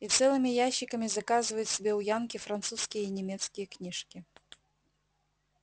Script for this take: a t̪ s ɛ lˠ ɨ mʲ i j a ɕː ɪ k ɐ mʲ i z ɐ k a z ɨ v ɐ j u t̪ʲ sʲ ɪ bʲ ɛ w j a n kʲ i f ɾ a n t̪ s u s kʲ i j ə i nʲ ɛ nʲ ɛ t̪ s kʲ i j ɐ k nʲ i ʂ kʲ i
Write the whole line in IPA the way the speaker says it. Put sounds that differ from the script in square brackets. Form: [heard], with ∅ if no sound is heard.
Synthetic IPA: [i] t̪ s ɛ lˠ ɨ mʲ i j a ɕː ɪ k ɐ mʲ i z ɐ k a z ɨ v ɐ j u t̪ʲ sʲ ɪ bʲ ɛ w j a n kʲ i f ɾ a n t̪ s u s kʲ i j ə i nʲ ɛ [mʲ] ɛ t̪ s kʲ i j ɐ k nʲ i ʂ kʲ i